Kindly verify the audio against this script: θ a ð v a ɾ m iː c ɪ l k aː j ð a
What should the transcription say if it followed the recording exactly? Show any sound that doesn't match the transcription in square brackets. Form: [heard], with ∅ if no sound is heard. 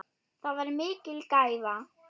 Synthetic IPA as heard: θ a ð v a ɾ m [ɪː] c ɪ l k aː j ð a